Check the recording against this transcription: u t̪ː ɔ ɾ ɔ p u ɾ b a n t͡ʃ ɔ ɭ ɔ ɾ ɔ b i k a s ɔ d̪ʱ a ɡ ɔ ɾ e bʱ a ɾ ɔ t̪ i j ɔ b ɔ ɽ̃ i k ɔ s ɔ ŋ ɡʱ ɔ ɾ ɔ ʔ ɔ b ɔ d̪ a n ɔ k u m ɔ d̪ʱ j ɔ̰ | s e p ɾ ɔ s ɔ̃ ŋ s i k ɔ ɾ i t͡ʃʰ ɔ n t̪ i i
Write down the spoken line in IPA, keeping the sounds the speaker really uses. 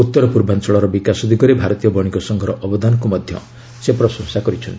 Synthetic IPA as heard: u t̪ː ɔ ɾ ɔ p u ɾ b a n t͡ʃ ɔ ɭ ɔ ɾ ɔ b i k a s ɔ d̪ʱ i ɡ ɔ ɾ e bʱ a ɾ ɔ t̪ i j ɔ b ɔ ɽ̃ i k ɔ s ɔ ŋ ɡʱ ɔ ɾ ɔ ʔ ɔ b ɔ d̪ a n ɔ k u m ɔ d̪ʱ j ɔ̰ | s e p ɾ ɔ s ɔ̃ ŋ s a k ɔ ɾ i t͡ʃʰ ɔ n t̪ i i